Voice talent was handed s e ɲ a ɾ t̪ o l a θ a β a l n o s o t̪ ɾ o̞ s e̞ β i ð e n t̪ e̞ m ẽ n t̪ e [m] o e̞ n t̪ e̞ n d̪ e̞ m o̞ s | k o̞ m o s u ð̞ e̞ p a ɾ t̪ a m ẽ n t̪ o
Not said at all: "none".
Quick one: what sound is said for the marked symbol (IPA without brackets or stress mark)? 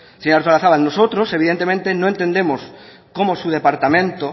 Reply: n